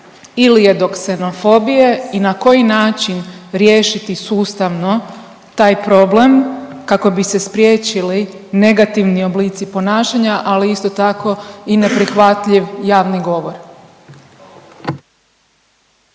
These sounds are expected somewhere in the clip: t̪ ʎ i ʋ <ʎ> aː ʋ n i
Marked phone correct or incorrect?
incorrect